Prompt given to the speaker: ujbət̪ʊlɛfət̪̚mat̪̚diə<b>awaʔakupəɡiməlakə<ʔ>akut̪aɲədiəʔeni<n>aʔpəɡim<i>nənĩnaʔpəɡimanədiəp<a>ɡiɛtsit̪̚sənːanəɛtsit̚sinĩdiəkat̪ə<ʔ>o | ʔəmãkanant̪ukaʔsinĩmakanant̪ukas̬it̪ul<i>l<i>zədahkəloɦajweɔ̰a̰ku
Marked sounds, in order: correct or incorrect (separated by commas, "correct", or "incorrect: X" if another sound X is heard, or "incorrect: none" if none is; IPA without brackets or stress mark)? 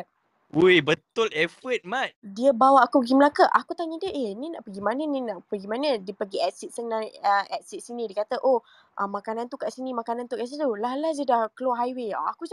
correct, correct, correct, incorrect: a, incorrect: ə, correct, incorrect: a, incorrect: a